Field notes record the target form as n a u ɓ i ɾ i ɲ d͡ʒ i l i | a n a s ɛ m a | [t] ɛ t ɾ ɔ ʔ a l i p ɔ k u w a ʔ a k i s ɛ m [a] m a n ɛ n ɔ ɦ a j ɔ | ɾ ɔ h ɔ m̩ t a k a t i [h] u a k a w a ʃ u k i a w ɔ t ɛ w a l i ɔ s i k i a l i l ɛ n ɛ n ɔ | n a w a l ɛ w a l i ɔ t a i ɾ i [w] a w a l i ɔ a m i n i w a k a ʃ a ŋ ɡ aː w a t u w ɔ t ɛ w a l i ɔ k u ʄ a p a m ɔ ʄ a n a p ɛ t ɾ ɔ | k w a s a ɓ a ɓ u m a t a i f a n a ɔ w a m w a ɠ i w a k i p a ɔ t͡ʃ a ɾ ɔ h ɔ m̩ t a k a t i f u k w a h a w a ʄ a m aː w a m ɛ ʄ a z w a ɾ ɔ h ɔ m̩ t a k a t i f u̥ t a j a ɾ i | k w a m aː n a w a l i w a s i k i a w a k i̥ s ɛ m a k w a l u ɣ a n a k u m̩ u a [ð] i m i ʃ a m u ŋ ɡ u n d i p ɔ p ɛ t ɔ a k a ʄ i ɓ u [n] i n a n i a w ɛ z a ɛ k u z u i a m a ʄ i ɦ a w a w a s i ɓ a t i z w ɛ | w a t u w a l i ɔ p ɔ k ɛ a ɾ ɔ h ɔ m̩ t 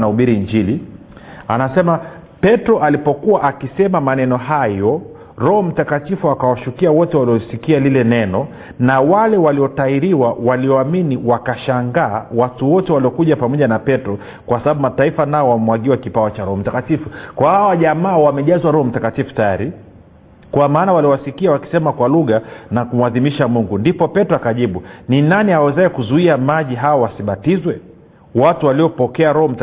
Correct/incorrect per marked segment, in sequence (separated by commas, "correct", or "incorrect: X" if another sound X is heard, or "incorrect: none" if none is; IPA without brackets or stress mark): incorrect: p, correct, incorrect: f, correct, correct, correct